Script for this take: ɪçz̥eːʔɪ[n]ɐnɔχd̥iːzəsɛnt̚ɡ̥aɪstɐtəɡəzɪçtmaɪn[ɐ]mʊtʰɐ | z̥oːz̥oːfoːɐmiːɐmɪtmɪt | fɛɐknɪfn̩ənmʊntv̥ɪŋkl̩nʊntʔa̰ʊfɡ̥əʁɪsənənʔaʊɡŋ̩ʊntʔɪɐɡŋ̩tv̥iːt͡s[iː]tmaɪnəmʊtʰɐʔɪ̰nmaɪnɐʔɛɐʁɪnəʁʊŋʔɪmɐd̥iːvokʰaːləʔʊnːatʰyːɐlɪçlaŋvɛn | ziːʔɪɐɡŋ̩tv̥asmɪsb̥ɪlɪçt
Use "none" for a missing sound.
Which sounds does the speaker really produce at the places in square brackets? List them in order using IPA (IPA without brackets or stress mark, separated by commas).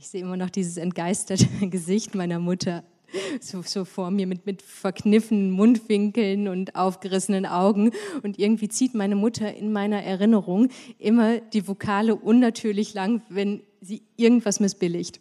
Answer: m, ɐ, iː